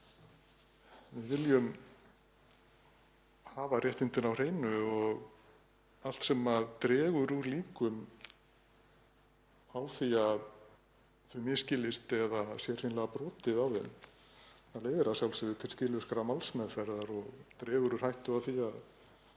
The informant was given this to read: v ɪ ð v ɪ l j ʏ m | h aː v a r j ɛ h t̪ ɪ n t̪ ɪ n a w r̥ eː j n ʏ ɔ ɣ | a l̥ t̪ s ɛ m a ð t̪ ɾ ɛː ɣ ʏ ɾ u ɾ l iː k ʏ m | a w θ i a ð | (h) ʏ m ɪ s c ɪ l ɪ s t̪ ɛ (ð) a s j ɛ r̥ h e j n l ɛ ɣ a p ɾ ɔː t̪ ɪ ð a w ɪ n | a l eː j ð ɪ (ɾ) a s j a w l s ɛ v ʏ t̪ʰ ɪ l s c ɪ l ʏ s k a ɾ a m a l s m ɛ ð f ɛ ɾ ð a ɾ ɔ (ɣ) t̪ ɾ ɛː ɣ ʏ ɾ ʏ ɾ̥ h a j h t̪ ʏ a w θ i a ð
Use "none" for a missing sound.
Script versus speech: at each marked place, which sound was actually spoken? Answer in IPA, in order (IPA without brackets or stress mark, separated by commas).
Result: θ, ð, ɾ, ɣ